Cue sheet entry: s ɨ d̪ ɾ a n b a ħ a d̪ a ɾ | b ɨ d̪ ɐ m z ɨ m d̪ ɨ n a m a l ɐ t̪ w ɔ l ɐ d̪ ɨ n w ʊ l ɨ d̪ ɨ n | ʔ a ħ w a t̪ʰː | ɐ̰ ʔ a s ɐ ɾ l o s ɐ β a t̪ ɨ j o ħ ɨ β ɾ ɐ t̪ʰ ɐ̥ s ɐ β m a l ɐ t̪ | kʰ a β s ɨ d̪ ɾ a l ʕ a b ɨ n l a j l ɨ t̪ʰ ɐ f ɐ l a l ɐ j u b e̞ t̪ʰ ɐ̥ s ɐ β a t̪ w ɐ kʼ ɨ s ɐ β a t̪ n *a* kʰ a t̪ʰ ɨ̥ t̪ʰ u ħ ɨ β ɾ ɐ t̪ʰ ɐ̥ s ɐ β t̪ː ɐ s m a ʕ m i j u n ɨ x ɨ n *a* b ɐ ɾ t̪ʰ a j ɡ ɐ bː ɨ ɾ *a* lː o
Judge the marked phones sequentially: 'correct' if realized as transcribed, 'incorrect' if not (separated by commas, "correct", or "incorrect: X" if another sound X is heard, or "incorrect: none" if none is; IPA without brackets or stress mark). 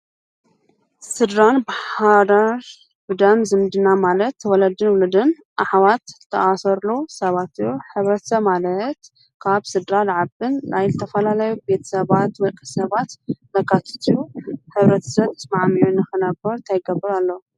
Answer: incorrect: ɐ, incorrect: ɐ, correct